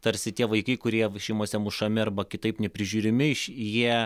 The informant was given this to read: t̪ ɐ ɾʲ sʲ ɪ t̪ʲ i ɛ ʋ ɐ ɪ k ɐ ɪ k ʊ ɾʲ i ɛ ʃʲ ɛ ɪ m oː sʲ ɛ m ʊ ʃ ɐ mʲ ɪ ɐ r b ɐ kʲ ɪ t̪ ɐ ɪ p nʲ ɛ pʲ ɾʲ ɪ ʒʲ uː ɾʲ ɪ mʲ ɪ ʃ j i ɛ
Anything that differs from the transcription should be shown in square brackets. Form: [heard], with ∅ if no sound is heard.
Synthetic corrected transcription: t̪ ɐ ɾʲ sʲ ɪ t̪ʲ i ɛ ʋ ɐ ɪ k ɐ ɪ k ʊ ɾʲ i ɛ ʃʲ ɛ ɪ m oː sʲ ɛ m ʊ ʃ ɐ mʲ ɪ ɐ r b ɐ kʲ ɪ t̪ ɐ ɪ p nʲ ɛ pʲ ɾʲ ɪ ʒʲ uː ɾʲ ɪ mʲ ɪ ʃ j i ɛ